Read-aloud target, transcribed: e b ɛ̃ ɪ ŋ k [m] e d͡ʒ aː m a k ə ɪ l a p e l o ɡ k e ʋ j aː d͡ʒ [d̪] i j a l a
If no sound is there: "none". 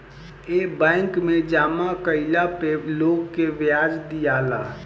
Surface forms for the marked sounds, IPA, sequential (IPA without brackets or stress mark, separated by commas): m, d̪